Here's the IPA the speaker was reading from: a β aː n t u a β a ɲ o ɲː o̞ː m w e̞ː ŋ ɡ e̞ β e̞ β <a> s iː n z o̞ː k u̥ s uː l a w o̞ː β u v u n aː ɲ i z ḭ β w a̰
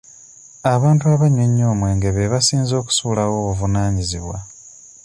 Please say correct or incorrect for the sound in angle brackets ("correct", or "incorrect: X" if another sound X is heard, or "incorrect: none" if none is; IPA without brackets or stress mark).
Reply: correct